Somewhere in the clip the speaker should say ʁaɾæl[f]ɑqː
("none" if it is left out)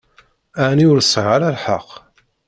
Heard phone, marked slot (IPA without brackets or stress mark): ħ